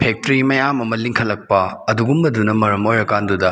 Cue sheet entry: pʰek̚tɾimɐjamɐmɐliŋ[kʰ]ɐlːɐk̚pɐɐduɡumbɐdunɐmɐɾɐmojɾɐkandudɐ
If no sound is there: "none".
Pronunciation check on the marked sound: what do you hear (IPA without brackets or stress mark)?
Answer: kʰ